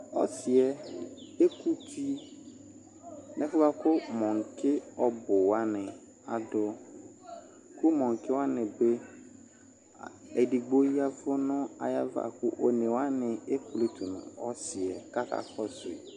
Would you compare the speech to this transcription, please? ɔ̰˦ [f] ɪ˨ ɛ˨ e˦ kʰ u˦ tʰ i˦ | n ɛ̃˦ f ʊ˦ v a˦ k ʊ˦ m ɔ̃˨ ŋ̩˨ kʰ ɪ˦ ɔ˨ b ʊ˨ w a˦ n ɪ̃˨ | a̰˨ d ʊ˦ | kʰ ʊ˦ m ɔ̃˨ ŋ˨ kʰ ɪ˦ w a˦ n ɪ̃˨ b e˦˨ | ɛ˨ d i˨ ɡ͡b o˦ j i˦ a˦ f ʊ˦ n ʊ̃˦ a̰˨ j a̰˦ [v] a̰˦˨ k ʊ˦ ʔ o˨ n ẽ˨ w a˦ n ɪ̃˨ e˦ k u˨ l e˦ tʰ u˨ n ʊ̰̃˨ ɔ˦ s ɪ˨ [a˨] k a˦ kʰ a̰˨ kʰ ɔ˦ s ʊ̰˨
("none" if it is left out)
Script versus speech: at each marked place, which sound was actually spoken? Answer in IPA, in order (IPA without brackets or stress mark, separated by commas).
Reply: s, v, ɛ˨